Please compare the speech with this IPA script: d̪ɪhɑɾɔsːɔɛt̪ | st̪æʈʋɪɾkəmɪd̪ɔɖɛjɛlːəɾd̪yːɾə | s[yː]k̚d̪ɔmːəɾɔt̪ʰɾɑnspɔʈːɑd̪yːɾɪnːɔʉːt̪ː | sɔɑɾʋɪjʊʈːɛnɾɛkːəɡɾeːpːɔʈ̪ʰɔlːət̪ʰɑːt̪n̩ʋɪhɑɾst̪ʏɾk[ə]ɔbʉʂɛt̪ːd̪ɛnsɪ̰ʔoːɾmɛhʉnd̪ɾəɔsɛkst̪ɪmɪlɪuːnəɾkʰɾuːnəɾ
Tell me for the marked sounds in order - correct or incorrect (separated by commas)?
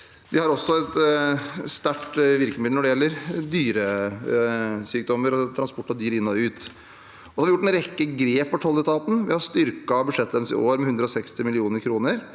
correct, incorrect